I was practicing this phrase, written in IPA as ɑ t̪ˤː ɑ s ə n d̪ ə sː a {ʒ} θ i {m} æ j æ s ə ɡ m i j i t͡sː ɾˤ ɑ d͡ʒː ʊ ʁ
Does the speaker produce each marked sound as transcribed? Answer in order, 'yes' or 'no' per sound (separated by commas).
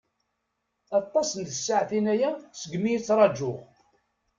no, no